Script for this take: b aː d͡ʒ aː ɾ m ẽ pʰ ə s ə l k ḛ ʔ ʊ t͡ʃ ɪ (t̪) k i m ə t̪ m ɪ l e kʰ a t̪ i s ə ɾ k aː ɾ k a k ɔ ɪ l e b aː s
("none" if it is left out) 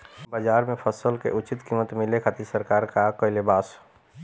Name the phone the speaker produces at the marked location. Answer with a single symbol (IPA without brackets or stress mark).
t̪